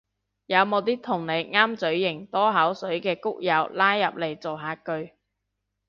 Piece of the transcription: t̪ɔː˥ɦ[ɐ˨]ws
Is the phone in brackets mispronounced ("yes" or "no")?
yes